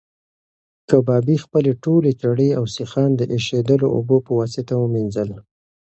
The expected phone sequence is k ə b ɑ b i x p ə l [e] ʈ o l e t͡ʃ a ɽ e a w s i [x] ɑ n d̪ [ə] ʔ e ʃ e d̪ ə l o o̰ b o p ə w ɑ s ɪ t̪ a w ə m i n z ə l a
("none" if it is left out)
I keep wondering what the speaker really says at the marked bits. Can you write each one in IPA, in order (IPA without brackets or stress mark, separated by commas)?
e, x, ə